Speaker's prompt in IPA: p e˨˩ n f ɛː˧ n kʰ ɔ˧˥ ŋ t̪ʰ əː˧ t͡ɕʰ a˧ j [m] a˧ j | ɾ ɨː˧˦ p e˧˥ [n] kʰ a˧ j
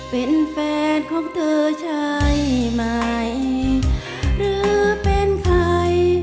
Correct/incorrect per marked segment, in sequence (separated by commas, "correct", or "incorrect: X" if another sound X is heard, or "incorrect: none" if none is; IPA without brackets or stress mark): correct, correct